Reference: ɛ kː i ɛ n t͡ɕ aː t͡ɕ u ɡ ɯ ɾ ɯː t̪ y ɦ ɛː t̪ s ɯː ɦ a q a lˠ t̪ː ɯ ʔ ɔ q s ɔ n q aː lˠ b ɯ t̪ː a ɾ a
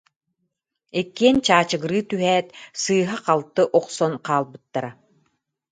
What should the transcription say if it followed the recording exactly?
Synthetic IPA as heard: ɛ kː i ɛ n t͡ɕ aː t͡ɕ ɯ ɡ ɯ ɾ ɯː t̪ y ɦ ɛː t̪ s ɯː ɦ a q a lˠ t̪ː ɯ ʔ ɔ q s ɔ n q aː lˠ b ɯ t̪ː a ɾ a